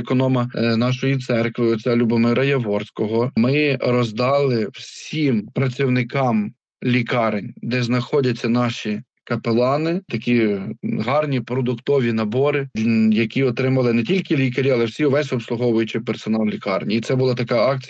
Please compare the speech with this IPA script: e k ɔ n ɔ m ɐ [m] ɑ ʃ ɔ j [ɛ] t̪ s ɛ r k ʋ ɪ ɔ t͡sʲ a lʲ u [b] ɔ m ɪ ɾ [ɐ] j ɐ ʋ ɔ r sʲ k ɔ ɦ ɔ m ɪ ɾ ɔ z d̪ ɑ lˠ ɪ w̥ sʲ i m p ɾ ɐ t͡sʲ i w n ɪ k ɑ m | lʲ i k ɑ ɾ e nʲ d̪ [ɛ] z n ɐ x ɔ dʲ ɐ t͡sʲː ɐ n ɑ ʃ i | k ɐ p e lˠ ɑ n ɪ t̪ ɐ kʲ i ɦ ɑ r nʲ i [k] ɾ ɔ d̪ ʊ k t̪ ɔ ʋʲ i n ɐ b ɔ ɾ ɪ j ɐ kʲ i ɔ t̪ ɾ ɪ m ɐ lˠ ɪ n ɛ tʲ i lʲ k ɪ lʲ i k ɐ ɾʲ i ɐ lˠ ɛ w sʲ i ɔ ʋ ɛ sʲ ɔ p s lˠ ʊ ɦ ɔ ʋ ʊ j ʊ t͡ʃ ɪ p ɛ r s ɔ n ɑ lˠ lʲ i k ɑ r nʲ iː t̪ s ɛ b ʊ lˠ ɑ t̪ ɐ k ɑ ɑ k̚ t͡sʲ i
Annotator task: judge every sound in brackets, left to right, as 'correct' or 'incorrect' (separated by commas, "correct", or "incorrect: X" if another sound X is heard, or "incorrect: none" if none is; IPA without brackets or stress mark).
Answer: incorrect: n, incorrect: i, correct, correct, correct, incorrect: p